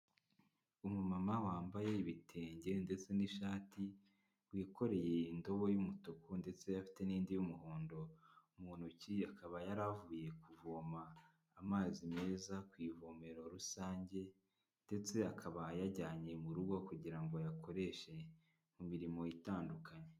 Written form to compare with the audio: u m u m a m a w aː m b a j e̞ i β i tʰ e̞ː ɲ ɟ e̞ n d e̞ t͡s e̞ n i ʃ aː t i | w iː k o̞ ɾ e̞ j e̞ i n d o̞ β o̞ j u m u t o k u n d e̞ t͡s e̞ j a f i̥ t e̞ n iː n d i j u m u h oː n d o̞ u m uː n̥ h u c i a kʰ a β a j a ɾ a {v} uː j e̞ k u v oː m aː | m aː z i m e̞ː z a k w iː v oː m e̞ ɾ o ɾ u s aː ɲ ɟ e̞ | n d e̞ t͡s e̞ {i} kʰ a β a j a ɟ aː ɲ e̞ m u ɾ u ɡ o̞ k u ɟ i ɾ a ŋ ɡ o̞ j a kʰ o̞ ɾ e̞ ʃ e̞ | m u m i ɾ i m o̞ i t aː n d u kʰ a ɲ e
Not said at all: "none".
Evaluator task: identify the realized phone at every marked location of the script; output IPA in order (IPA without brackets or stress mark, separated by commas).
v, a